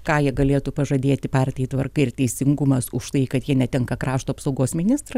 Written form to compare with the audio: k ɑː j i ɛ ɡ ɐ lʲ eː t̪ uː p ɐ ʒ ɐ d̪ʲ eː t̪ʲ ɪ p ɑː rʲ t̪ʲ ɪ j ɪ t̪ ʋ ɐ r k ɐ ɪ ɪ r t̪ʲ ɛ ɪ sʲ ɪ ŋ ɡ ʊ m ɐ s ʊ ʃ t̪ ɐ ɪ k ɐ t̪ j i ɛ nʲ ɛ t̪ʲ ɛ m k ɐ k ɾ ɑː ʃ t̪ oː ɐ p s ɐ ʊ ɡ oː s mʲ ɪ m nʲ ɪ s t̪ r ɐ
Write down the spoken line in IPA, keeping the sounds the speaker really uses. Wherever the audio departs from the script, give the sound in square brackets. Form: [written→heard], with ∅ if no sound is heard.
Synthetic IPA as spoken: k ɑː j i ɛ ɡ ɐ lʲ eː t̪ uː p ɐ ʒ ɐ d̪ʲ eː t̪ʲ ɪ p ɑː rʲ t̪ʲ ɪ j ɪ t̪ ʋ ɐ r k ɐ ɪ ɪ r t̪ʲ ɛ ɪ sʲ ɪ ŋ ɡ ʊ m ɐ s ʊ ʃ t̪ ɐ ɪ k ɐ t̪ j i ɛ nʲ ɛ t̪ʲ ɛ [m→ŋ] k ɐ k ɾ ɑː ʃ t̪ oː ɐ p s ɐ ʊ ɡ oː s mʲ ɪ [m→∅] nʲ ɪ s t̪ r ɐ